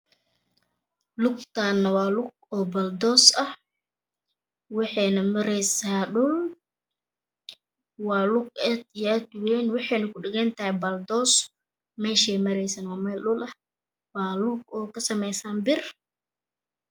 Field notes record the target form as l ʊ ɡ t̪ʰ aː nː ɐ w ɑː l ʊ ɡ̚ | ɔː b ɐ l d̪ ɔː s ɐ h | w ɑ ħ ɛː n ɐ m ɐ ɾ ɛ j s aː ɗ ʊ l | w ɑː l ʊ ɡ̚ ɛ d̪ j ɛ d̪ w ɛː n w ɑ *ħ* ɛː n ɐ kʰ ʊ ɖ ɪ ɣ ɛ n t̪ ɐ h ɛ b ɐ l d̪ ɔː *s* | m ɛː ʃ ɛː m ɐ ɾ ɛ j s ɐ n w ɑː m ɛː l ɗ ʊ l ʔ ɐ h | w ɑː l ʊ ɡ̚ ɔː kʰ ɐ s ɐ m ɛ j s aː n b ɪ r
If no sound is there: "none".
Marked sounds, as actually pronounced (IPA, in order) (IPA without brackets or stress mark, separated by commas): ħ, s